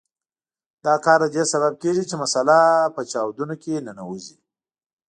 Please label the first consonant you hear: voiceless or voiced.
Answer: voiced